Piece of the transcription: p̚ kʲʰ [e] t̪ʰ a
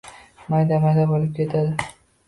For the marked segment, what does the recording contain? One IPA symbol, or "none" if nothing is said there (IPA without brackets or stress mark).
e